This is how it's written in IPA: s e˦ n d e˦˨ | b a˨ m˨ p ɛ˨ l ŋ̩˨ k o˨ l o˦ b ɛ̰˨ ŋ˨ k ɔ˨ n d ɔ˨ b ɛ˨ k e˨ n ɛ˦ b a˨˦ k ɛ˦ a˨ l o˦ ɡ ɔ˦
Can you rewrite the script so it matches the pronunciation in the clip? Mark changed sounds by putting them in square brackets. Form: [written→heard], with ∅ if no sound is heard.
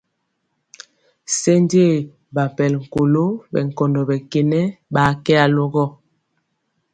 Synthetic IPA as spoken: s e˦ n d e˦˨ | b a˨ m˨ p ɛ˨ l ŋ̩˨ k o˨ l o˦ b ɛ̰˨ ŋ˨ k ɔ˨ n d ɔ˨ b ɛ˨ k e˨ n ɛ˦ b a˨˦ k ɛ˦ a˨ l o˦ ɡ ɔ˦